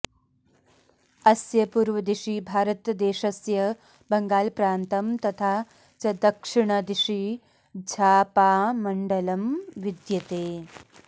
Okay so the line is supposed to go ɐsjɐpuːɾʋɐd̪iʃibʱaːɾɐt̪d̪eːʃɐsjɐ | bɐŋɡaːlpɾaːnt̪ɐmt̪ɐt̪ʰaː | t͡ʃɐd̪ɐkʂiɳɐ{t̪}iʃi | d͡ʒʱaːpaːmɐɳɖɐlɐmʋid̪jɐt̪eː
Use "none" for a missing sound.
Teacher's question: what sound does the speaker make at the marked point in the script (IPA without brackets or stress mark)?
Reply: d̪